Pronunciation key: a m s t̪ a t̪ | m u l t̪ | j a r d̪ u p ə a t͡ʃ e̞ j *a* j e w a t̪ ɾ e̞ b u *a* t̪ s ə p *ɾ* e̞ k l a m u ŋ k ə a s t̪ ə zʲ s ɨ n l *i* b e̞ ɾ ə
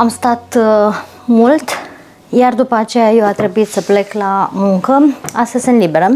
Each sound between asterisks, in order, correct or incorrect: correct, incorrect: i, incorrect: l, correct

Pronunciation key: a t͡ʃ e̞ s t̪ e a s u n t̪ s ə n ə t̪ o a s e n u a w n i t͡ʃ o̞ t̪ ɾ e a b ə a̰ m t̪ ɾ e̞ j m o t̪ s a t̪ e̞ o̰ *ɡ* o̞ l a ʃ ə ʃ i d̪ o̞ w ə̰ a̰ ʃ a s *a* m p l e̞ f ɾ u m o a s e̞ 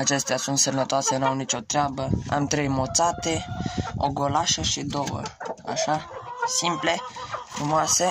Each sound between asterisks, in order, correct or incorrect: correct, incorrect: i

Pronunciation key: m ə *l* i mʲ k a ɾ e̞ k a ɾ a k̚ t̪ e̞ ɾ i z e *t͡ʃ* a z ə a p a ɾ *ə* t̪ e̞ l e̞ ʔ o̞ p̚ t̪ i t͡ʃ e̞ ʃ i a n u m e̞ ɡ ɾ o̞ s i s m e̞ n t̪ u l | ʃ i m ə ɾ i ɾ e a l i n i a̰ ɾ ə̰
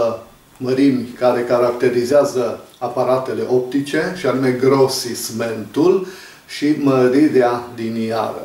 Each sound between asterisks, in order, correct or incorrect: incorrect: ɾ, incorrect: none, incorrect: a

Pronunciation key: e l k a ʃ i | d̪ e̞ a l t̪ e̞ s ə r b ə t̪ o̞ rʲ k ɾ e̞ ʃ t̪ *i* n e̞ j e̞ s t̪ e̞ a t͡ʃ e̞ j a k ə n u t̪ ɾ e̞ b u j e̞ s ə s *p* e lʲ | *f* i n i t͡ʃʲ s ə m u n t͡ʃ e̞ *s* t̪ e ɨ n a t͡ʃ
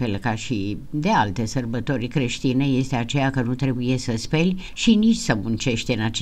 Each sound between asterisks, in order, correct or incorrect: correct, correct, incorrect: ʃ, incorrect: ʃ

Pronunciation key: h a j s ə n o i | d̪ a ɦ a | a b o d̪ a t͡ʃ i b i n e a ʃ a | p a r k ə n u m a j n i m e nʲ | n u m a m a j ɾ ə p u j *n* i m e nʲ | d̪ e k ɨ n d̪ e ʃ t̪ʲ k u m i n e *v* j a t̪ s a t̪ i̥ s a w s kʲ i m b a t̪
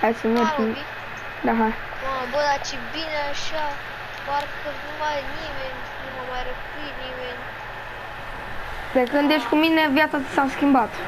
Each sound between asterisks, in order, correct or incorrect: correct, correct

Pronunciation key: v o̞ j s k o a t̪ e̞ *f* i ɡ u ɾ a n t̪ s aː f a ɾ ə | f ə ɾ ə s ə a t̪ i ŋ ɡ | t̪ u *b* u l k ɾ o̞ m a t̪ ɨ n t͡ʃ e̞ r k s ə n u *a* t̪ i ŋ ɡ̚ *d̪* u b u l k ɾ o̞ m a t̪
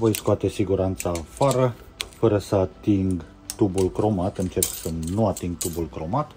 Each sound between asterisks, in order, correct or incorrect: incorrect: s, correct, correct, incorrect: t̪

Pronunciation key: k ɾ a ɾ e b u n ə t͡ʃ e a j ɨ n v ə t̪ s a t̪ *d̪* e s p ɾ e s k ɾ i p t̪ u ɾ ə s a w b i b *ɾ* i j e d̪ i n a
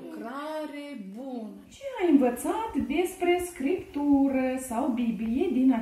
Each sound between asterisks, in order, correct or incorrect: correct, incorrect: l

